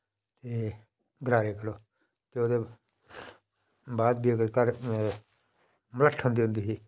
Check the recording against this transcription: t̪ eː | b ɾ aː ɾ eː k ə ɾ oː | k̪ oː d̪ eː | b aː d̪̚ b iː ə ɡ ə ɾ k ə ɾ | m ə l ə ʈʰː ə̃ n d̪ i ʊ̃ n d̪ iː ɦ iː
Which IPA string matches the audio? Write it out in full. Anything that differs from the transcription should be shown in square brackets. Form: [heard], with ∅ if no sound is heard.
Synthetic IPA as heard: t̪ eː | [ɡ] ɾ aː ɾ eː k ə ɾ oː | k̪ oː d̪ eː | b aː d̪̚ b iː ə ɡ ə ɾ k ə ɾ | m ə l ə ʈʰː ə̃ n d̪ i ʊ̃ n d̪ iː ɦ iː

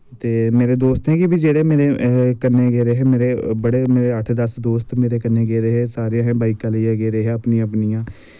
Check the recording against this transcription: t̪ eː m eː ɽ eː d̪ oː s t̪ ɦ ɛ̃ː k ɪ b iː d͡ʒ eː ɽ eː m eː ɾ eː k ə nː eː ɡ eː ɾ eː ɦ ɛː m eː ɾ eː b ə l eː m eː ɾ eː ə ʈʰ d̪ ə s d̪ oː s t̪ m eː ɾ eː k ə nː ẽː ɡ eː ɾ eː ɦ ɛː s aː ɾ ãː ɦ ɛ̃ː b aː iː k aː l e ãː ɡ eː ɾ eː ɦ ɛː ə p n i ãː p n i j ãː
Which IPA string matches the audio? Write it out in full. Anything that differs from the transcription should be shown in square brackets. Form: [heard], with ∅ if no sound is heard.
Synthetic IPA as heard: t̪ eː m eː [ɾ] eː d̪ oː s t̪ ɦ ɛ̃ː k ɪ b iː d͡ʒ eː ɽ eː m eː ɾ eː k ə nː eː ɡ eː ɾ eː ɦ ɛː m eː ɾ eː b ə [ɽ] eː m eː ɾ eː ə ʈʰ d̪ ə s d̪ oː s t̪ m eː ɾ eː k ə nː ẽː ɡ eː ɾ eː ɦ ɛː s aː ɾ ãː ɦ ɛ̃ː b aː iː k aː l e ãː ɡ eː ɾ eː ɦ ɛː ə p n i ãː p n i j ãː

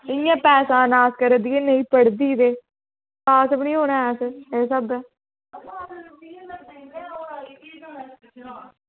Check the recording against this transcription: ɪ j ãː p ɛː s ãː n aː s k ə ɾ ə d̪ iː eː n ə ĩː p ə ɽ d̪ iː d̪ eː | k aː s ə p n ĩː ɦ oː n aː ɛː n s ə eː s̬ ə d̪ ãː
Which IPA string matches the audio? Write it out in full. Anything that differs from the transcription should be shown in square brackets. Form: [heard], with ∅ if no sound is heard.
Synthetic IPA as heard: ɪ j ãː p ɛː s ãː n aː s k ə ɾ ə d̪ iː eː n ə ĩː p ə ɽ d̪ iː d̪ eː | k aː s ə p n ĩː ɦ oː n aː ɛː [∅] s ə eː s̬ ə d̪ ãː

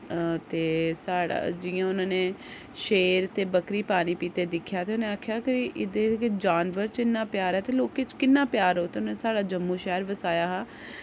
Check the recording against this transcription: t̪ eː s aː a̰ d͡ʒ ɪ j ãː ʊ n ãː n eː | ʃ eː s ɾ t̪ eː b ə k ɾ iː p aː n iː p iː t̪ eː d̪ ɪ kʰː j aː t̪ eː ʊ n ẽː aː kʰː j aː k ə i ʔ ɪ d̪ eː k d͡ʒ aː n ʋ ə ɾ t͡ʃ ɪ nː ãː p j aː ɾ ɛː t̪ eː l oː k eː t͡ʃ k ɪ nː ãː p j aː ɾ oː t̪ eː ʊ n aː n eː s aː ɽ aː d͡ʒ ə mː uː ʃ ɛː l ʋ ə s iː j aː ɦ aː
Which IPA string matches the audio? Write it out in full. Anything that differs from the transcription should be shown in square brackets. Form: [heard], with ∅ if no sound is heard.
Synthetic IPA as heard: t̪ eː s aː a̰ d͡ʒ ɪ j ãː ʊ n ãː n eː | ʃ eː [∅] ɾ t̪ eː b ə k ɾ iː p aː n iː p iː t̪ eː d̪ ɪ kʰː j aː t̪ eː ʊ n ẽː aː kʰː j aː k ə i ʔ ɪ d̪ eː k d͡ʒ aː n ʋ ə ɾ t͡ʃ ɪ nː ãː p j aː ɾ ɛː t̪ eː l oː k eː t͡ʃ k ɪ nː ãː p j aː ɾ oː t̪ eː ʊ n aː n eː s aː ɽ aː d͡ʒ ə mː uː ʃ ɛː [ɾ] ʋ ə s [aː] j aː ɦ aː

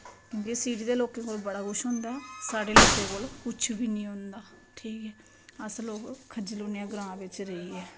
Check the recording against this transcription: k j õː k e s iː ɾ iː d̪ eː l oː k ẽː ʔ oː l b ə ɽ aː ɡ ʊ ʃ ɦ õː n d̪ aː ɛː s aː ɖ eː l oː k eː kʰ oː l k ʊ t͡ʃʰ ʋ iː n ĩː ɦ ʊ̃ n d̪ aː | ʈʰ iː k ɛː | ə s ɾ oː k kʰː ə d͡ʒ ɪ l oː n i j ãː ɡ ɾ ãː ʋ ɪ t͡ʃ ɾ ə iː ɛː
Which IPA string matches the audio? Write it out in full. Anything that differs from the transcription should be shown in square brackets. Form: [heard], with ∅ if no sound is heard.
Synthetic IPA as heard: k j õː k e s iː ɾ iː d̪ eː l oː k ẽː [k] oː l b ə ɽ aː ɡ ʊ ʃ ɦ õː n d̪ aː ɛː s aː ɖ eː l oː k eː [k] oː l k ʊ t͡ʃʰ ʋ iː n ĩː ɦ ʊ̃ n d̪ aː | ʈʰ iː k ɛː | ə s [l] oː k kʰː ə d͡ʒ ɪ l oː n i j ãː ɡ ɾ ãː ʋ ɪ t͡ʃ ɾ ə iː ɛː

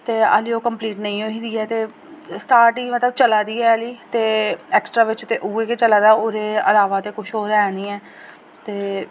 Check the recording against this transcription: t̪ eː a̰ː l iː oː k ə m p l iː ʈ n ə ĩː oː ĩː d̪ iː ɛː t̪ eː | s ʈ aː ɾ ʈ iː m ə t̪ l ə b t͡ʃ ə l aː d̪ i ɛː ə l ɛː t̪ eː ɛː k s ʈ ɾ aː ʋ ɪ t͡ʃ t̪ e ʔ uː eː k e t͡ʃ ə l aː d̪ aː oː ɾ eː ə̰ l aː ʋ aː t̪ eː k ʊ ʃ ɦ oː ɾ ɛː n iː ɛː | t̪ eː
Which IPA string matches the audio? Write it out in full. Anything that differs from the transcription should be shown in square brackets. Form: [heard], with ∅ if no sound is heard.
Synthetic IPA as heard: t̪ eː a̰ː l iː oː k ə m p l iː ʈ n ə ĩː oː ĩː d̪ iː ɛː t̪ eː | s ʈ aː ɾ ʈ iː m ə t̪ l ə b t͡ʃ ə l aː d̪ [iː] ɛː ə l [iː] t̪ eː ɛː k s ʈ ɾ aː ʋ ɪ t͡ʃ t̪ e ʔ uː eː k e t͡ʃ ə l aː d̪ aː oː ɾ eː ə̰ l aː ʋ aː t̪ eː k ʊ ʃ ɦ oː ɾ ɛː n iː ɛː | t̪ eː

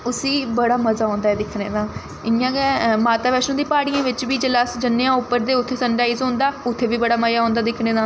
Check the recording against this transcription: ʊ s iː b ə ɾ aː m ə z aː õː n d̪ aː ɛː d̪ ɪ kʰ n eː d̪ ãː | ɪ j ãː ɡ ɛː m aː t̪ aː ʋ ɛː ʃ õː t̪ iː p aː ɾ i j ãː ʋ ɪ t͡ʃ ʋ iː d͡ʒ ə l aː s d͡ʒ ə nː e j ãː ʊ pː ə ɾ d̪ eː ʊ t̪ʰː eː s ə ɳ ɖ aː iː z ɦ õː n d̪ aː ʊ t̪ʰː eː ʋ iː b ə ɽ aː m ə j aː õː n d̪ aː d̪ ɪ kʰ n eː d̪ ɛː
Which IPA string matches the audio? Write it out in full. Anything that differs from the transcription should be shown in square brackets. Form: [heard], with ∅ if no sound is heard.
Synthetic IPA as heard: ʊ s iː b ə [ɽ] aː m ə z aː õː n d̪ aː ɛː d̪ ɪ kʰ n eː d̪ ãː | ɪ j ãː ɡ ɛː m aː t̪ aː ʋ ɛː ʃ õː [d̪] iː p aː [ɽ] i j ãː ʋ ɪ t͡ʃ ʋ iː d͡ʒ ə l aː s d͡ʒ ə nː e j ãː ʊ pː ə ɾ d̪ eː ʊ t̪ʰː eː s ə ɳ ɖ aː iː z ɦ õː n d̪ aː ʊ t̪ʰː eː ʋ iː b ə ɽ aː m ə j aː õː n d̪ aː d̪ ɪ kʰ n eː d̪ [aː]

